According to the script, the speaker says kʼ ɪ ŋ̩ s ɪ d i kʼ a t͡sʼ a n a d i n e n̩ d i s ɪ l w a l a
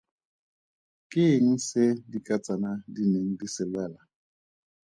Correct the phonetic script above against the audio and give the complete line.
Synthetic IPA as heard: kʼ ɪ ŋ̩ s ɪ d i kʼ a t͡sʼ a n a d i n e ŋ̩ d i s ɪ l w ɛ l a